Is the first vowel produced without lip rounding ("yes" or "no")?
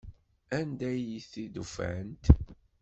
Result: yes